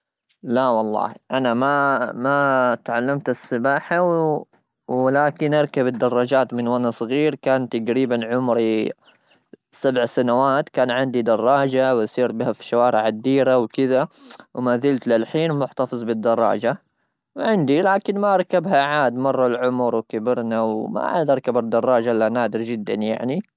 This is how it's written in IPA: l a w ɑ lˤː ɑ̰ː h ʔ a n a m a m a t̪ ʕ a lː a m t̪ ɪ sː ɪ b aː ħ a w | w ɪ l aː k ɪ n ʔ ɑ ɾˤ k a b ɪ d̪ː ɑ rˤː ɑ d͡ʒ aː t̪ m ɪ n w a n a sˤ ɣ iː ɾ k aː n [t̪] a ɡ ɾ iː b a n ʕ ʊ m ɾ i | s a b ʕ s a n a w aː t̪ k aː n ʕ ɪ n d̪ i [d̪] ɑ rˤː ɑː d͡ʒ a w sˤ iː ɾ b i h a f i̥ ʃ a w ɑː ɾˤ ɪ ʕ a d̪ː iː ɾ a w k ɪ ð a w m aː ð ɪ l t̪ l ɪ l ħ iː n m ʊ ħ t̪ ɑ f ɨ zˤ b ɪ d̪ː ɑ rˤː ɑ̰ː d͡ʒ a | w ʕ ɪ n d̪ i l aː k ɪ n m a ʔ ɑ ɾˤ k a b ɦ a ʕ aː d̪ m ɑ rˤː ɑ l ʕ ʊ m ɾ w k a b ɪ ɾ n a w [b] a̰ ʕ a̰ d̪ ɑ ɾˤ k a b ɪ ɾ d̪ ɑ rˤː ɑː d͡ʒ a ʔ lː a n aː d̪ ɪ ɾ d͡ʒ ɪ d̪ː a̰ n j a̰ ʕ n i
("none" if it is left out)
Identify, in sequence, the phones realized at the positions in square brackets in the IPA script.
t̪, d̪, m

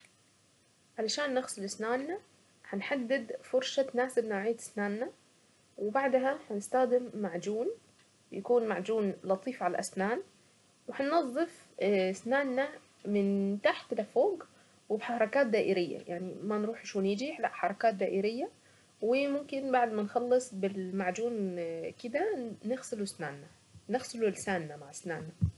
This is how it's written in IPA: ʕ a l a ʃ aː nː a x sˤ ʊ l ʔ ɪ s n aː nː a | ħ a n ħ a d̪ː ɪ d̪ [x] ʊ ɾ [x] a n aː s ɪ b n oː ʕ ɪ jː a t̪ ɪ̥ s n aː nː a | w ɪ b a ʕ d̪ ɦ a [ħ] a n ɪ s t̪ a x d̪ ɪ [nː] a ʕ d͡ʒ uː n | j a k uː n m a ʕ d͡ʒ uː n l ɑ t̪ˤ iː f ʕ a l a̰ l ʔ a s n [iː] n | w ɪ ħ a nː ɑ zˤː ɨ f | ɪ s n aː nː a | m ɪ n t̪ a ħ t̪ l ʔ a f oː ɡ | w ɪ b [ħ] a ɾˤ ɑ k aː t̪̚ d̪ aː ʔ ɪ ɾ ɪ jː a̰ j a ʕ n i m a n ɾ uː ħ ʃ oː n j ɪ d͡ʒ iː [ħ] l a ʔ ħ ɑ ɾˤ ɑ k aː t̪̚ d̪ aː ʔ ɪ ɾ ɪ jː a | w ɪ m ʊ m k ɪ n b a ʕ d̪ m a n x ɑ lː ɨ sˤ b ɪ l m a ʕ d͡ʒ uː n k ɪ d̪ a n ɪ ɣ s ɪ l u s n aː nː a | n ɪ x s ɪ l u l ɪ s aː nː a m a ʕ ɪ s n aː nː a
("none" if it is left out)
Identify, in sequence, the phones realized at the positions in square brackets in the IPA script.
f, ʃ, ħ, mː, aː, ħ, ħ

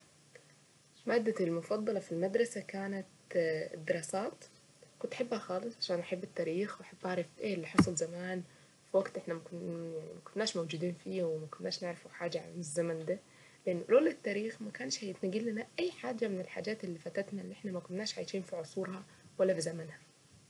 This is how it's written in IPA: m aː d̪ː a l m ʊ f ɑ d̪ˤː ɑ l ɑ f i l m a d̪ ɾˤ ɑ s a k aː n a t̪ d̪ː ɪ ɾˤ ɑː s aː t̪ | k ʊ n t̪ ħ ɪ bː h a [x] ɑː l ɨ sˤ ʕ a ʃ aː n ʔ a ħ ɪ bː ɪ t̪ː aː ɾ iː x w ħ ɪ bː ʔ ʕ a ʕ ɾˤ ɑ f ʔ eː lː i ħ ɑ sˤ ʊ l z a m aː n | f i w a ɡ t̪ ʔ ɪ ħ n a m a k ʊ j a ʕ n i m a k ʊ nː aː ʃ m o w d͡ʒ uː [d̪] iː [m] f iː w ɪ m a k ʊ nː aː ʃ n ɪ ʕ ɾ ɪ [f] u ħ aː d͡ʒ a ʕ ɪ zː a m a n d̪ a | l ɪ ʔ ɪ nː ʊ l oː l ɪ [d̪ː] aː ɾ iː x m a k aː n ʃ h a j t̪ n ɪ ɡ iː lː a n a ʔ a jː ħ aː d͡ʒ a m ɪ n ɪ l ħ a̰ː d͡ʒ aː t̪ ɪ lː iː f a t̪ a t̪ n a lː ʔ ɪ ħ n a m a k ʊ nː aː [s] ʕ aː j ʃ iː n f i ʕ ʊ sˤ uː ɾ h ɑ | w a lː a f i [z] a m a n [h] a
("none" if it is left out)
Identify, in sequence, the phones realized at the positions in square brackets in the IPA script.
x, d̪, n, f, t̪ː, ʃ, z, h

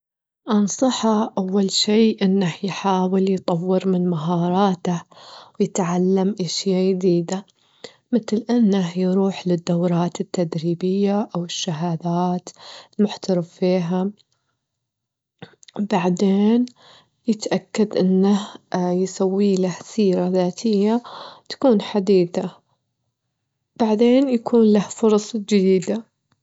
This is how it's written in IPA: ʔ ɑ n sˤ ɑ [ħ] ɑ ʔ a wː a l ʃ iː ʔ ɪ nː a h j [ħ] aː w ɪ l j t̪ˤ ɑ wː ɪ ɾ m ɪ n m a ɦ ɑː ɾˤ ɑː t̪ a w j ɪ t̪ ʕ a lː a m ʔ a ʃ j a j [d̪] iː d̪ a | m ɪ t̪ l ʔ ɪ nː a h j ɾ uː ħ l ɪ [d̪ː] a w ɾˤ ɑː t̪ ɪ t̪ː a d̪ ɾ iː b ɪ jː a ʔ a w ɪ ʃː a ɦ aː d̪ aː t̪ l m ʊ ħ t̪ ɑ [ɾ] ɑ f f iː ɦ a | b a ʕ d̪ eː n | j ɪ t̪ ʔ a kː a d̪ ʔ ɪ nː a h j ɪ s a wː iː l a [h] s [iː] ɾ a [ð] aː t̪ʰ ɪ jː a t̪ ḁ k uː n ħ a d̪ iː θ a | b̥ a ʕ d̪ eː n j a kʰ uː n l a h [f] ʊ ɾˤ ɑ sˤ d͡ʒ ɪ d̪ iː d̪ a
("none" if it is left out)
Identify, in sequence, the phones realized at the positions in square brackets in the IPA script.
ħ, ħ, d̪, d̪ː, ɾ, h, iː, ð, f

